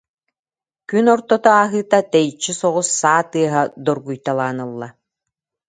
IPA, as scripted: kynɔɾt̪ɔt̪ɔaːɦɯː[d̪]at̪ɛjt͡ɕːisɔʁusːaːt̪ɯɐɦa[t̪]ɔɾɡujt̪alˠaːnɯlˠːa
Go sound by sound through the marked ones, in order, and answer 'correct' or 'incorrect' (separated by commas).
incorrect, incorrect